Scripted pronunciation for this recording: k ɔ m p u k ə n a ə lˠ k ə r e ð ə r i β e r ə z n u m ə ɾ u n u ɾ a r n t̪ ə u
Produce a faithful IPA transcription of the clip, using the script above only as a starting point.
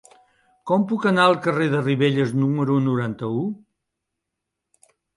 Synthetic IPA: k ɔ m p u k ə n a ə lˠ k ə r e ð ə r i β e ʎ ə z n u m ə ɾ u n u ɾ a n t̪ ə u